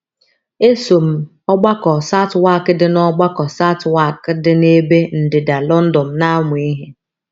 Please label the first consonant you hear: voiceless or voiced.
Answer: voiceless